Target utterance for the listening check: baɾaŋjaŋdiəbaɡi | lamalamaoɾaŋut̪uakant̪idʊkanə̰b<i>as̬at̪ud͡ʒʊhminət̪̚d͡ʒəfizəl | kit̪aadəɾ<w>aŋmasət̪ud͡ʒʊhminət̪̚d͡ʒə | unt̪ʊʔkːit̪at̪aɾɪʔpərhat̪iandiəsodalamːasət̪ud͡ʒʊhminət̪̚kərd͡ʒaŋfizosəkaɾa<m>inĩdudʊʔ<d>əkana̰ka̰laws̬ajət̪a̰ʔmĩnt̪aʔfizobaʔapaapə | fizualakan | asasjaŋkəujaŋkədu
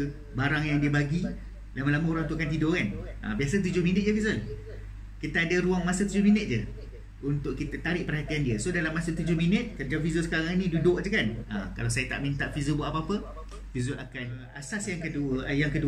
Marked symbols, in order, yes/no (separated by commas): yes, no, no, no